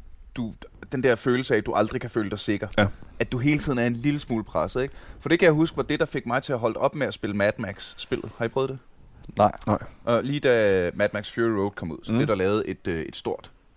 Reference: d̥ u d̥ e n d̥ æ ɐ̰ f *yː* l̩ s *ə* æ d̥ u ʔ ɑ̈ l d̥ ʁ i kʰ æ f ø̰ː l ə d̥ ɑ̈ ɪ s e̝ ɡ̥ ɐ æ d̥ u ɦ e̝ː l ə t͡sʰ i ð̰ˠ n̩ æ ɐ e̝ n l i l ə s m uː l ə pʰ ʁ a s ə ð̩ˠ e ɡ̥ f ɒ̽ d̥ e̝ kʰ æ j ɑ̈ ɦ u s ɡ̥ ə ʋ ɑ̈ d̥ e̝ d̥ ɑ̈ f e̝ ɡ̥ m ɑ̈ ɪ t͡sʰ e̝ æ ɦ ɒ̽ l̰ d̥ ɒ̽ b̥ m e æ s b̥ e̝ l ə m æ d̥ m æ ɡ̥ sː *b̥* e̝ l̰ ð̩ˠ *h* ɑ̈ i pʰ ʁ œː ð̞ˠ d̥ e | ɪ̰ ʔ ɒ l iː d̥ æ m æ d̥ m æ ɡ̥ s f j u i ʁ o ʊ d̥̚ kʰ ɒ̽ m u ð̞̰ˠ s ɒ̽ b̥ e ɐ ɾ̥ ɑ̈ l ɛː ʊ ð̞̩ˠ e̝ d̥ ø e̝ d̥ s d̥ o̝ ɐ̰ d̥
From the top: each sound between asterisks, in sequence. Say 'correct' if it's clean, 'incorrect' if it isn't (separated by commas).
incorrect, correct, correct, correct